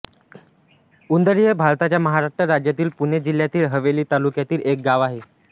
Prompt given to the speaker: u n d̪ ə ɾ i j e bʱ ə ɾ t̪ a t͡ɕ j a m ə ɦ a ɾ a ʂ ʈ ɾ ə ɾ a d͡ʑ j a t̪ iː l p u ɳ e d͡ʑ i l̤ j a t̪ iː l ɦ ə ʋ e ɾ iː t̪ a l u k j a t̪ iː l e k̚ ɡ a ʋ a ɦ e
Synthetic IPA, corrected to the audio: u n d̪ ə ɾ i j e bʱ a ɾ t̪ a t͡ɕ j a m ə ɦ a ɾ a ʂ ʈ ɾ ə ɾ a d͡ʑ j a t̪ iː l p u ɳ e d͡ʑ i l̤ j a t̪ iː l ɦ ə ʋ e l iː t̪ a l u k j a t̪ iː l e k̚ ɡ a ʋ a ɦ e